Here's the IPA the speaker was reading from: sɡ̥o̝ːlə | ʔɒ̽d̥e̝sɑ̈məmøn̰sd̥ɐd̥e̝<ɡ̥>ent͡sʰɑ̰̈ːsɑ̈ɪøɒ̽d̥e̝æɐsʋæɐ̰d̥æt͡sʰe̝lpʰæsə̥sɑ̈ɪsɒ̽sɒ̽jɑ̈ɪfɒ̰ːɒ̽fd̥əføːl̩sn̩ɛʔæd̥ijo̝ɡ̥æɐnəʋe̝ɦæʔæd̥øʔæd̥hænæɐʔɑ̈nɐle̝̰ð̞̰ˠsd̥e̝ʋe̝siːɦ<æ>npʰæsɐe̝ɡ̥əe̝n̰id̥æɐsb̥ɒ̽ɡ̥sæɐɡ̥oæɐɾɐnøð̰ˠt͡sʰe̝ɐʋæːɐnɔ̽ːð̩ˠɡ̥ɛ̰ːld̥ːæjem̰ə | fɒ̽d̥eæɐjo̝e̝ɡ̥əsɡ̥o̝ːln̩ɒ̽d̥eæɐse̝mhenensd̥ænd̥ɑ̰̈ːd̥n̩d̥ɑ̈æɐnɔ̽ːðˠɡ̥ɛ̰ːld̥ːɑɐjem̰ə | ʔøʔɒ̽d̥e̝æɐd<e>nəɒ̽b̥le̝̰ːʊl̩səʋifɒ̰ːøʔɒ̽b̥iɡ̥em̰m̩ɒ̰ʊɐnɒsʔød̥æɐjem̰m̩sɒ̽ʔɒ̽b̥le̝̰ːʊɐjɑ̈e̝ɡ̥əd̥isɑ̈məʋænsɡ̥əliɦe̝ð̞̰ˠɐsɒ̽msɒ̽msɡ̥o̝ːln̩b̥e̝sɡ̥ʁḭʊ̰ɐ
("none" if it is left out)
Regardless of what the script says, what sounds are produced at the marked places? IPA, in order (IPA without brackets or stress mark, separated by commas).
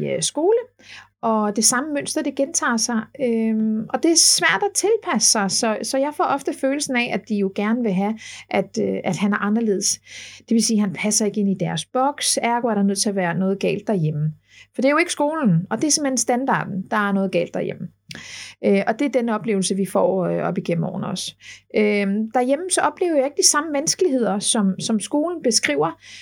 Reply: ɡ̥, æ, e